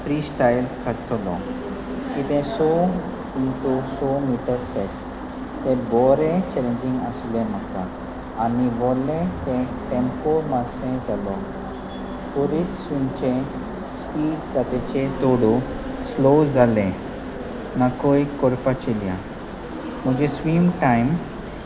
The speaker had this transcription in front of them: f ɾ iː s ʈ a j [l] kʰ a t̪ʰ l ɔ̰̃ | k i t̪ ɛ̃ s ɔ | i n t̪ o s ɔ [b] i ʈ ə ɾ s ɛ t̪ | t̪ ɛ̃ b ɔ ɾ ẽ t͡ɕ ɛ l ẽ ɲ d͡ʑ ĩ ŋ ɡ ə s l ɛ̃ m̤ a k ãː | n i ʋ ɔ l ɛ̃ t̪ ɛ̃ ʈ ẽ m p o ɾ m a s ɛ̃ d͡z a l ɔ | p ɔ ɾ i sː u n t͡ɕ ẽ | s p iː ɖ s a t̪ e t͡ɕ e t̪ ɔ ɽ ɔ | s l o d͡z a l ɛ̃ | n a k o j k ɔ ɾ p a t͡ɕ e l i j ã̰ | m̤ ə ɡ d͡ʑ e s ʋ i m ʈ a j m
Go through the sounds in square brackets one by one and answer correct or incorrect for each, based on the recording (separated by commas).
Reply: correct, incorrect